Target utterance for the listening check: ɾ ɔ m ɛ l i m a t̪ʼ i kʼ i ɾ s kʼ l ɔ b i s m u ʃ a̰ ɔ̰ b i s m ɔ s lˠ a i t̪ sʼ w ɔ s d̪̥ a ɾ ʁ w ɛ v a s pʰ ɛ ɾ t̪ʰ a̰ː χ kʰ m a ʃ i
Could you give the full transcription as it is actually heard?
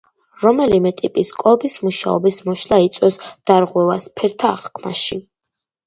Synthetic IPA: ɾ ɔ m ɛ l i m ɛ t̪ʼ i pʼ i s kʼ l ɔ b i s m u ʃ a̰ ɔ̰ b i s m ɔ ʃ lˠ a i t̪ sʼ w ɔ s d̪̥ a ɾ ʁ w ɛ v a s pʰ ɛ ɾ t̪ʰ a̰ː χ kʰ m a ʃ i